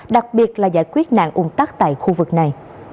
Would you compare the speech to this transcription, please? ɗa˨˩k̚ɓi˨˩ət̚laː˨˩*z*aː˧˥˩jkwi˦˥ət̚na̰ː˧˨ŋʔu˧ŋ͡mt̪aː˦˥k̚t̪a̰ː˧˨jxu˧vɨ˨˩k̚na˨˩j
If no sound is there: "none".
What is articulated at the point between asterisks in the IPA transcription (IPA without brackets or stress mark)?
z